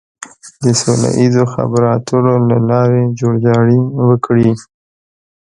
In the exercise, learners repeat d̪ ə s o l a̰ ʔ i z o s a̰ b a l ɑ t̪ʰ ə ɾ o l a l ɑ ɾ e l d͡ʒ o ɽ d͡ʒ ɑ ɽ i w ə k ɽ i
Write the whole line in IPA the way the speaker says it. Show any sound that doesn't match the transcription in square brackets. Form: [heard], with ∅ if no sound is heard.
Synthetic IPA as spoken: d̪ ə s o l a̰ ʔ i z o [x] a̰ b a [ɾ] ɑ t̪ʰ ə ɾ o l a l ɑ ɾ e [∅] d͡ʒ o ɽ d͡ʒ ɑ ɽ i w ə k ɽ i